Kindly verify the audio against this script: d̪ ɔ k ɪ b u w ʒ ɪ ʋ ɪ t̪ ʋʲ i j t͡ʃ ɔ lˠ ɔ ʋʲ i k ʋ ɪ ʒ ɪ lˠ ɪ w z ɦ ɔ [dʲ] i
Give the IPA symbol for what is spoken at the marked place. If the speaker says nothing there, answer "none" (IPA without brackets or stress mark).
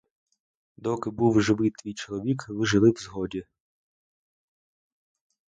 dʲ